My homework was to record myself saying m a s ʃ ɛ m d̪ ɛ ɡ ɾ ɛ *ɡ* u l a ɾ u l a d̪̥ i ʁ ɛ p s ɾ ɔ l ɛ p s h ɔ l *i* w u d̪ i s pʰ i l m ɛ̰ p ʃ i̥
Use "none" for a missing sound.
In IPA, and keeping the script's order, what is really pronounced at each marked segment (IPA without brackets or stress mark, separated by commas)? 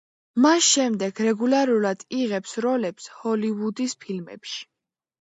ɡ, i